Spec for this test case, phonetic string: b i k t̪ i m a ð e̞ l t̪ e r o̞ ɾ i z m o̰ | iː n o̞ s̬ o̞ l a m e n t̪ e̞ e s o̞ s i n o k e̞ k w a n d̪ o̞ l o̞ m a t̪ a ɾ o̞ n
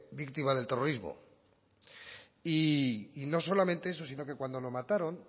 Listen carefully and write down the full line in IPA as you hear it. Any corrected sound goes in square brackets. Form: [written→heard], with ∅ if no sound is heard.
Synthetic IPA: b i k t̪ i m a ð e̞ l t̪ e r o̞ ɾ i z m o̰ | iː n o̞ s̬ o̞ l a m e n t̪ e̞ e s o̞ s i n o k e̞ k w a n d̪ o̞ l o̞ m a t̪ a ɾ o̞ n

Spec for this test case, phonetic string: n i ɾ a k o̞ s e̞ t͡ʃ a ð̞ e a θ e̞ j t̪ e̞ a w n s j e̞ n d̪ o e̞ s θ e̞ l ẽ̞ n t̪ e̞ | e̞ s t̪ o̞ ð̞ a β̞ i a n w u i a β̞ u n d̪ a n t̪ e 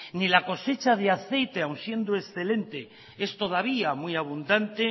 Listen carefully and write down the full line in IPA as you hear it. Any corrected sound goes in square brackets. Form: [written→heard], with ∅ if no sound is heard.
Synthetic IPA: n i [ɾ→l] a k o̞ s e̞ t͡ʃ a ð̞ e a θ e̞ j t̪ e̞ a w n s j e̞ n d̪ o e̞ s θ e̞ l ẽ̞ n t̪ e̞ | e̞ s t̪ o̞ ð̞ a β̞ i a [n→m] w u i a β̞ u n d̪ a n t̪ e

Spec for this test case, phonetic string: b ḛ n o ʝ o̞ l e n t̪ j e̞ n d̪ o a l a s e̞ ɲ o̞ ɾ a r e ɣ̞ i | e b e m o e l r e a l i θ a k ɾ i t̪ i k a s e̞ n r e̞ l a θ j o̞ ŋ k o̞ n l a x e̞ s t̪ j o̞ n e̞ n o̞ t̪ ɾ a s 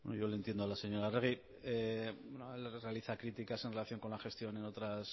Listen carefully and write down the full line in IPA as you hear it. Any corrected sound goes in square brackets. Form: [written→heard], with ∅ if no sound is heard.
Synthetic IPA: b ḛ n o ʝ o̞ l e n t̪ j e̞ n d̪ o a l a s e̞ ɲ o̞ ɾ a r e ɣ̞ i | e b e [m→n] o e l r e a l i θ a k ɾ i t̪ i k a s e̞ n r e̞ l a θ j o̞ ŋ k o̞ n l a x e̞ s t̪ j o̞ n e̞ n o̞ t̪ ɾ a s

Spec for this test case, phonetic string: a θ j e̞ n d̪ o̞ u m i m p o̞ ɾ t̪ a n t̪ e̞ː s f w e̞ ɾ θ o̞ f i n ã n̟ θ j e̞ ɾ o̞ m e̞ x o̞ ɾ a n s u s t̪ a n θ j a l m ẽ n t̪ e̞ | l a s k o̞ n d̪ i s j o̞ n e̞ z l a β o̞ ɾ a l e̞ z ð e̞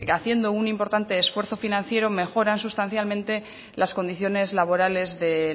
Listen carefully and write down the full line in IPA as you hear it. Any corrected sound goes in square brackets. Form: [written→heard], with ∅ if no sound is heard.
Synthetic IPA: a θ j e̞ n d̪ o̞ u [m→n] i m p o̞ ɾ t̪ a n t̪ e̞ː s f w e̞ ɾ θ o̞ f i n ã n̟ θ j e̞ ɾ o̞ m e̞ x o̞ ɾ a n s u s t̪ a n θ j a l m ẽ n t̪ e̞ | l a s k o̞ n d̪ i [s→θ] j o̞ n e̞ z l a β o̞ ɾ a l e̞ z ð e̞

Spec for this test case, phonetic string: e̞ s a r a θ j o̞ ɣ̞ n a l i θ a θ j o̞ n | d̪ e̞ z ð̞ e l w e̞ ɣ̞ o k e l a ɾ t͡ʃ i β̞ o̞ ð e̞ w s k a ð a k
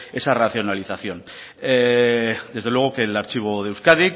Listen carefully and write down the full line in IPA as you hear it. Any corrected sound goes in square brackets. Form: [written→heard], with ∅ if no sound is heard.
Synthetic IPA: e̞ s a r a θ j o̞ [ɣ̞→∅] n a l i θ a θ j o̞ n | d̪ e̞ z ð̞ e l w e̞ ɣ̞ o k e l a ɾ t͡ʃ i β̞ o̞ ð e̞ w s k a ð [a→i] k

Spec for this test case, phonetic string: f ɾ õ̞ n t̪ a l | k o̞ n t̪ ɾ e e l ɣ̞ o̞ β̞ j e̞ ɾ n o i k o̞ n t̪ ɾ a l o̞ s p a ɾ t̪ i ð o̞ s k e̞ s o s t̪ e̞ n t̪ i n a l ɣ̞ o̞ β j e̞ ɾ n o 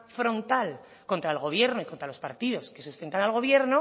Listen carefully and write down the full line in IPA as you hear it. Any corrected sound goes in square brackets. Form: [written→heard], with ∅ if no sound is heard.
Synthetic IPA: f ɾ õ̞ n t̪ a l | k o̞ n t̪ ɾ [e→a] e l ɣ̞ o̞ β̞ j e̞ ɾ n o i k o̞ n t̪ ɾ a l o̞ s p a ɾ t̪ i ð o̞ s k e̞ s [o→u] s t̪ e̞ n t̪ [i→a] n a l ɣ̞ o̞ β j e̞ ɾ n o

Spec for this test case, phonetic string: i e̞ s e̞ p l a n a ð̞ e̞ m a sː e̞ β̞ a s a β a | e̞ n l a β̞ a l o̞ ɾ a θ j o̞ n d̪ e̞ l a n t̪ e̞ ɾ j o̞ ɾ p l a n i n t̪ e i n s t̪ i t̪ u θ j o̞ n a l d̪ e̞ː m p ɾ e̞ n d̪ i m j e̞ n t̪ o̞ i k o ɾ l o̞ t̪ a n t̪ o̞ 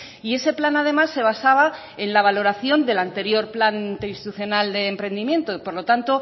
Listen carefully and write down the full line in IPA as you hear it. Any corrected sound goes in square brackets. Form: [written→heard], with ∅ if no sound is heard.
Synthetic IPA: i e̞ s e̞ p l a n a ð̞ e̞ m a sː e̞ β̞ a s a β a | e̞ n l a β̞ a l o̞ ɾ a θ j o̞ n d̪ e̞ l a n t̪ e̞ ɾ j o̞ ɾ p l a n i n t̪ e i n s t̪ i t̪ u θ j o̞ n a l d̪ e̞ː m p ɾ e̞ n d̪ i m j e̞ n t̪ o̞ i [k→p] o ɾ l o̞ t̪ a n t̪ o̞

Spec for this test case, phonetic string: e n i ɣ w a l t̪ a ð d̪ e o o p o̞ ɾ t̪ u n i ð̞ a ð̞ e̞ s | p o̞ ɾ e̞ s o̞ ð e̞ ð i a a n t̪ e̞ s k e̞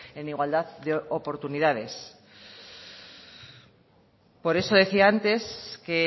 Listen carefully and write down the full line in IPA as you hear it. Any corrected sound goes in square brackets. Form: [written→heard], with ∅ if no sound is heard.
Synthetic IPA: e n i ɣ w a l [t̪→d̪] a ð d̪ e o o p o̞ ɾ t̪ u n i ð̞ a ð̞ e̞ s | p o̞ ɾ e̞ s o̞ ð e̞ [ð→θ] i a a n t̪ e̞ s k e̞

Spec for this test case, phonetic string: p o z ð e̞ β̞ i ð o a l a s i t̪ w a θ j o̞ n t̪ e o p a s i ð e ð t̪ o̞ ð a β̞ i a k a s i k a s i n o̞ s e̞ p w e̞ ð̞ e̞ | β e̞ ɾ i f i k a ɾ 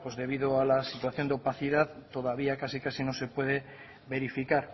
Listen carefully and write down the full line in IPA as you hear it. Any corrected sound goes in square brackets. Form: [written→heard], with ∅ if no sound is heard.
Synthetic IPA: p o z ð e̞ β̞ i ð o a l a s i t̪ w a θ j o̞ n [t̪→d̪] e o p a [s→θ] i ð [e→a] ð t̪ o̞ ð a β̞ i a k a s i k a s i n o̞ s e̞ p w e̞ ð̞ e̞ | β e̞ ɾ i f i k a ɾ

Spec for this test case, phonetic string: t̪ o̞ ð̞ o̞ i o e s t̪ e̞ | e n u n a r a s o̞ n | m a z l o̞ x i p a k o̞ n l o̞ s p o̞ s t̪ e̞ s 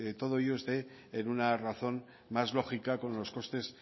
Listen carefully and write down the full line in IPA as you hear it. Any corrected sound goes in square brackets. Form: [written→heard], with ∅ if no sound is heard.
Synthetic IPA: t̪ o̞ ð̞ o̞ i o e s t̪ e̞ | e n u n a r a [s→θ] o̞ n | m a z l o̞ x i [p→k] a k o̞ n l o̞ s [p→k] o̞ s t̪ e̞ s

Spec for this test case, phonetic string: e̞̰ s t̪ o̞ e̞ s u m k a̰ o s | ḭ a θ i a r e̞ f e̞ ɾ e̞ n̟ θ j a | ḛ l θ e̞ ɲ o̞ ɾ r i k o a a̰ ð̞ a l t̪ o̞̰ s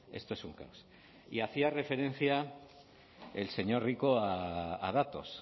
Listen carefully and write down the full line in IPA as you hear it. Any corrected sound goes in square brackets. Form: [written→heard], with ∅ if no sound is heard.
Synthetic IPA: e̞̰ s t̪ o̞ e̞ s u [m→ŋ] k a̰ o s | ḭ a θ i a r e̞ f e̞ ɾ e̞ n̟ θ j a | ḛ l [θ→s] e̞ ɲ o̞ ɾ r i k o a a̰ ð̞ a [l→∅] t̪ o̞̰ s

